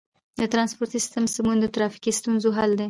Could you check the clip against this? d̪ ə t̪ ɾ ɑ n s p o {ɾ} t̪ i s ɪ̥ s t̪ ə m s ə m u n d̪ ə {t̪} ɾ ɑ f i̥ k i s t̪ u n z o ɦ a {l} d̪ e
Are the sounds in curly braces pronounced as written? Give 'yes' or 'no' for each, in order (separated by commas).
yes, yes, yes